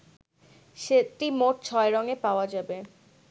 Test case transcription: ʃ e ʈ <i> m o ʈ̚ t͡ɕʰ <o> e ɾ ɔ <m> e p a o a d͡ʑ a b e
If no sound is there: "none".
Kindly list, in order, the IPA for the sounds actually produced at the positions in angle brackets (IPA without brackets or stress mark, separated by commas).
i, ɔ, ŋ